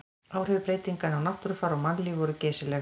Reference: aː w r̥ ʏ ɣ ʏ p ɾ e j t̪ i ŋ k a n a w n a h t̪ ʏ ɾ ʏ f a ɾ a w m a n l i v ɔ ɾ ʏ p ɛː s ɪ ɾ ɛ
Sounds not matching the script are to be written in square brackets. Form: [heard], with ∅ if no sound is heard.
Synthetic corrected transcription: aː w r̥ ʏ [v] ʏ p ɾ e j t̪ i ŋ k a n a w n a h t̪ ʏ ɾ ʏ f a ɾ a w m a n l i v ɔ ɾ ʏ [c] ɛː s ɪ [l] ɛ